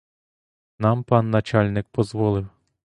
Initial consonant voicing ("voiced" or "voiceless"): voiced